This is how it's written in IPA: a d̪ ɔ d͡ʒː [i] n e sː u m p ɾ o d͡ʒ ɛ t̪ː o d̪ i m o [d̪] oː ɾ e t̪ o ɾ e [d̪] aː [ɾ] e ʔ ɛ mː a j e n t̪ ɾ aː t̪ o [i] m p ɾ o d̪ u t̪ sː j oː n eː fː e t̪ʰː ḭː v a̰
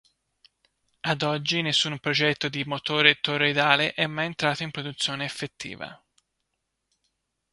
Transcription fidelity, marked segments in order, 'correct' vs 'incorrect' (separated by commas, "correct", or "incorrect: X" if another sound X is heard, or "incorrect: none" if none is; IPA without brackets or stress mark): correct, incorrect: t̪, correct, incorrect: l, correct